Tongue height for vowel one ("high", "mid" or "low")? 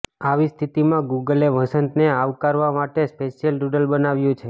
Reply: low